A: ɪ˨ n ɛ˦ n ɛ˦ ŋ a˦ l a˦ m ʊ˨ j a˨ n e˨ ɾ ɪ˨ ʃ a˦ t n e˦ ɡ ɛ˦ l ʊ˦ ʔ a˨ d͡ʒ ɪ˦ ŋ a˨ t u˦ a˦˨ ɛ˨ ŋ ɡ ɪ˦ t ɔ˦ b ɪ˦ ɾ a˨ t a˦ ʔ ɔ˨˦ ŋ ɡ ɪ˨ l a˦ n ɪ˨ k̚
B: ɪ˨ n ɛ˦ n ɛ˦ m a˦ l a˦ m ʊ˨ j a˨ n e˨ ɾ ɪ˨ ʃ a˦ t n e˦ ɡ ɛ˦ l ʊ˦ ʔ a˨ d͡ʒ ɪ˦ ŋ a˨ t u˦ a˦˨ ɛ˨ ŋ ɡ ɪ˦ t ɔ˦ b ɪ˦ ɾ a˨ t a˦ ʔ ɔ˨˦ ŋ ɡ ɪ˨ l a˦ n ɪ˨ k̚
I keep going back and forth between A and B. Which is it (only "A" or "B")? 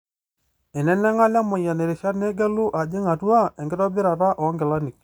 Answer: A